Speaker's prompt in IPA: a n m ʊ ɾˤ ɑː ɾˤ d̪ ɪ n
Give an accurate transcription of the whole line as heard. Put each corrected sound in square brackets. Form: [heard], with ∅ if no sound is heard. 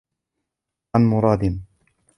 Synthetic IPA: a n m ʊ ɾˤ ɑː [∅] d̪ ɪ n